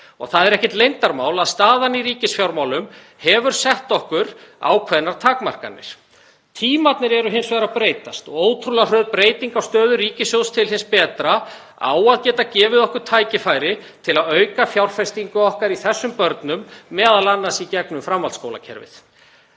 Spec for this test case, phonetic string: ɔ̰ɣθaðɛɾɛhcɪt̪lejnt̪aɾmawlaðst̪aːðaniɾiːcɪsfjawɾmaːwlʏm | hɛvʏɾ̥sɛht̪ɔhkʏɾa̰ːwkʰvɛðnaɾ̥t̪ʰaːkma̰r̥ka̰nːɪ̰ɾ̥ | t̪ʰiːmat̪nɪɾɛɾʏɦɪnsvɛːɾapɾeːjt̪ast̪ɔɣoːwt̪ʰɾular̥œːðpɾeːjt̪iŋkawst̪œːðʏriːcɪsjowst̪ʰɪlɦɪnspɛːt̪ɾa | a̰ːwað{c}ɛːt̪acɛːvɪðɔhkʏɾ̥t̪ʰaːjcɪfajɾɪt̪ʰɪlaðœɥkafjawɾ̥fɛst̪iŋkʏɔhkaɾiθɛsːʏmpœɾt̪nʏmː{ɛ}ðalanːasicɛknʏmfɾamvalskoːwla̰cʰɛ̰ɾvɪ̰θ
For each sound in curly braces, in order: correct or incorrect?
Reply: correct, incorrect: ɛː

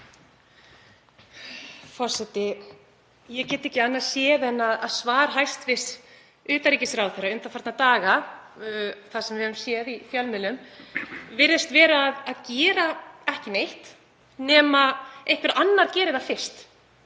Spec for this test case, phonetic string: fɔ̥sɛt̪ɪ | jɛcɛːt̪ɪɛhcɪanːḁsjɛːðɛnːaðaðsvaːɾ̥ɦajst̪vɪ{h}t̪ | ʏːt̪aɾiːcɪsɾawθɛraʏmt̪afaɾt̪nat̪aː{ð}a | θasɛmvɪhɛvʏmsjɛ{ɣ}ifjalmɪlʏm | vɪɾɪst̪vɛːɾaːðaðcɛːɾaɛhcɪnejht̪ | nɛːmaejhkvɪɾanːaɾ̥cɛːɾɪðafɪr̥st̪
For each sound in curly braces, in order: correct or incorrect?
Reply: incorrect: s, incorrect: ɣ, incorrect: ð

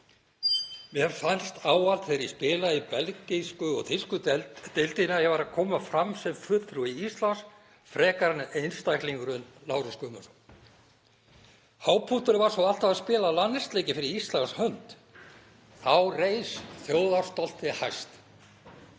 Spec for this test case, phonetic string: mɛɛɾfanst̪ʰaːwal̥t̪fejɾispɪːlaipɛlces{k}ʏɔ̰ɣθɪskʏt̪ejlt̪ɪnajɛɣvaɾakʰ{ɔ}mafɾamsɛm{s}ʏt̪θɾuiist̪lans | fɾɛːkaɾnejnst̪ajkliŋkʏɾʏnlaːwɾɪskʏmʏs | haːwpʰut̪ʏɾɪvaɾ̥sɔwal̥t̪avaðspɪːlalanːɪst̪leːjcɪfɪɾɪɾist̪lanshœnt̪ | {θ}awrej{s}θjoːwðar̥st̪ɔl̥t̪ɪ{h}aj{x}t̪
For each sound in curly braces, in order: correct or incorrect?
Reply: correct, incorrect: ɔː, incorrect: f, correct, correct, correct, incorrect: s

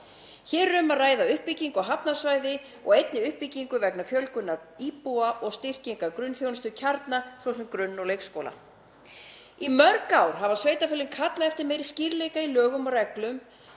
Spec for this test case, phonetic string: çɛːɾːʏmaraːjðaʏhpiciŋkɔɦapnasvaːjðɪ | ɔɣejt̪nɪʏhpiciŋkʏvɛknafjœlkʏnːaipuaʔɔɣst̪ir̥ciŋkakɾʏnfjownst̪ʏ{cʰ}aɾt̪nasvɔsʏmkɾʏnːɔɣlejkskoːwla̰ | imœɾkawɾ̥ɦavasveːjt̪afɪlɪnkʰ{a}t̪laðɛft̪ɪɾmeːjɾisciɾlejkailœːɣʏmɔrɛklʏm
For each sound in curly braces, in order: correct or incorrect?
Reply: correct, correct

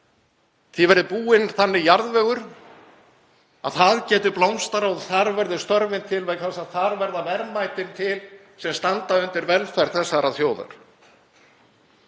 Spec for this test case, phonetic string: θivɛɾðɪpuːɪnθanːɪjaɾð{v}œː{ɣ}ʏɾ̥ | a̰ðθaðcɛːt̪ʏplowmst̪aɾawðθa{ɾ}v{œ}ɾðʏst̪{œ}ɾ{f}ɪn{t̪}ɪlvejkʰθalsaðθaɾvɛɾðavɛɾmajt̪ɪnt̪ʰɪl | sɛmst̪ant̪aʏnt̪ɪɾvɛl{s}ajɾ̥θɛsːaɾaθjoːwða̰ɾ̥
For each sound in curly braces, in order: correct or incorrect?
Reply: correct, correct, correct, incorrect: ɛ, correct, incorrect: v, incorrect: t̪ʰ, incorrect: f

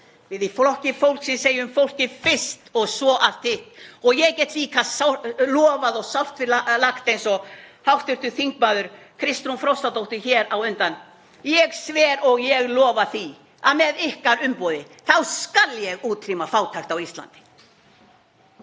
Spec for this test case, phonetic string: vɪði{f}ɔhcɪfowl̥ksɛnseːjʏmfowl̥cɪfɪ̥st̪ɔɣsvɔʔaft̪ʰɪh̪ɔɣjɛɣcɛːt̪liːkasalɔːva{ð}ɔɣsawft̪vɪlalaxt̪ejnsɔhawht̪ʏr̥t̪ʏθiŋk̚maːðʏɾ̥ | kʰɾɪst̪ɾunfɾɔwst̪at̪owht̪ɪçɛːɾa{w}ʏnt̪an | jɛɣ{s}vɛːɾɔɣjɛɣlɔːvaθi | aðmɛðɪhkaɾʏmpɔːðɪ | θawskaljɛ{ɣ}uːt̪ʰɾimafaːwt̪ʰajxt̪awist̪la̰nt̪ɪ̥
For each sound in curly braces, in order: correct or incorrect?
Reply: correct, correct, correct, correct, correct

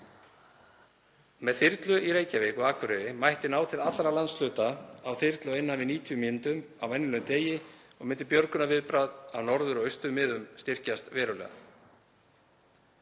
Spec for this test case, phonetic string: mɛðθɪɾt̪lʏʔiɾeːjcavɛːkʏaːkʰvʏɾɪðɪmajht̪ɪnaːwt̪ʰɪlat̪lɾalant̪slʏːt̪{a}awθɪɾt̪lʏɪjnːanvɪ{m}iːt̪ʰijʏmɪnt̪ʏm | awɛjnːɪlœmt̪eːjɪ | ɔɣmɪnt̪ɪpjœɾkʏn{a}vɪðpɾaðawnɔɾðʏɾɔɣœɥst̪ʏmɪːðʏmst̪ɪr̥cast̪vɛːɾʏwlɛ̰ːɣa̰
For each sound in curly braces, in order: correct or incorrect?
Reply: correct, incorrect: n, correct

